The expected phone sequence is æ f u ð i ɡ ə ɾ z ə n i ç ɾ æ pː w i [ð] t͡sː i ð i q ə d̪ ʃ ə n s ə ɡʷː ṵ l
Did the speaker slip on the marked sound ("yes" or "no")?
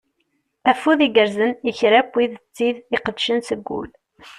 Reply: no